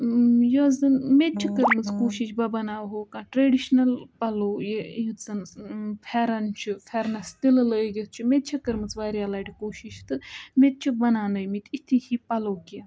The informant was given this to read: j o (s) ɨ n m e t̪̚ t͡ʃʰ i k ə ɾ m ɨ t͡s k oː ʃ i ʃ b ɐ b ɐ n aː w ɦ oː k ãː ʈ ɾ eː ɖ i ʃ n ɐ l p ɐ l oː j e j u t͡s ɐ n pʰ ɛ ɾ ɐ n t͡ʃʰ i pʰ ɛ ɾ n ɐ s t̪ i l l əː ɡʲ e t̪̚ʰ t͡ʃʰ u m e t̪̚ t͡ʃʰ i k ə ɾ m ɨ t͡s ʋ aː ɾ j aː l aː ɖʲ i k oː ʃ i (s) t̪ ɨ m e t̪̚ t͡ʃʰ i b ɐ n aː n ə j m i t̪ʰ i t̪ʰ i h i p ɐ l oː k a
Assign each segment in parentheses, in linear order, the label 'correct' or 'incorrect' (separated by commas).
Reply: incorrect, incorrect